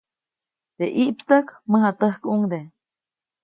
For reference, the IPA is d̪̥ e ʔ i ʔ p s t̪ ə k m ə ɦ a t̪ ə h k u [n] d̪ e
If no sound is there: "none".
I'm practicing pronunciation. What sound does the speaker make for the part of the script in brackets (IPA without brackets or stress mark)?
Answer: ŋ